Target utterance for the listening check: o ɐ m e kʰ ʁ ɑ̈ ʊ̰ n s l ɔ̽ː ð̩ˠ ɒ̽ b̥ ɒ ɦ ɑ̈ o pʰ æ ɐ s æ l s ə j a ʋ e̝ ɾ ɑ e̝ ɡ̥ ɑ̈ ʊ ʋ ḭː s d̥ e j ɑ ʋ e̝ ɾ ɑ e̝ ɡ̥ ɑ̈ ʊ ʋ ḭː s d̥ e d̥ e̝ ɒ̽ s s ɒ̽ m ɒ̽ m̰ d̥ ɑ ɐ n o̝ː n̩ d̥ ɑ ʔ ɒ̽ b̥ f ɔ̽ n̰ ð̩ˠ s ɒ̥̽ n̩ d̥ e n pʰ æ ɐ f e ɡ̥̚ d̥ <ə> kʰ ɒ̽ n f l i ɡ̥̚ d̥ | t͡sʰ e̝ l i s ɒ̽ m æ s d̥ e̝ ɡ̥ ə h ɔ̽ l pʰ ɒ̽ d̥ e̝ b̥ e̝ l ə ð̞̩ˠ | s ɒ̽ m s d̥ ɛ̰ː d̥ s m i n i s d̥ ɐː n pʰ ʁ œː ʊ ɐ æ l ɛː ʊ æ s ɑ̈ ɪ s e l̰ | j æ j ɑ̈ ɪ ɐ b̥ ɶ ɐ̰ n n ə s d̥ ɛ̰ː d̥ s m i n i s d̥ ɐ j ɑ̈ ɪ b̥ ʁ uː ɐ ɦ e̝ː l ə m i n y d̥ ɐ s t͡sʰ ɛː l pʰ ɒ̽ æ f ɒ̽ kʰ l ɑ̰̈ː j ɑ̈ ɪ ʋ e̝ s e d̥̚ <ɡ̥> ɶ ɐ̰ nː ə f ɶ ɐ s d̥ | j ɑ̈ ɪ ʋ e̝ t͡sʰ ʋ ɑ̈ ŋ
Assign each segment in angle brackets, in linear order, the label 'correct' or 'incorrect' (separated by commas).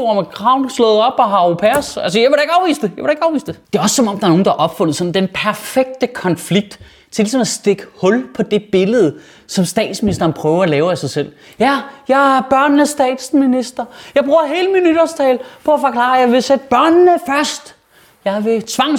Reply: correct, incorrect